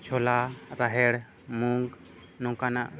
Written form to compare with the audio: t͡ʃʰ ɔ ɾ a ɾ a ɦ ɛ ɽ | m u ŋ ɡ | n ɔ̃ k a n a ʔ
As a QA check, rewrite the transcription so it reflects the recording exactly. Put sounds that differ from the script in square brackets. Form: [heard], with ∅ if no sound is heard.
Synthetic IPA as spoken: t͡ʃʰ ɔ [l] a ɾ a ɦ ɛ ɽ | m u ŋ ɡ | n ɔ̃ k a n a ʔ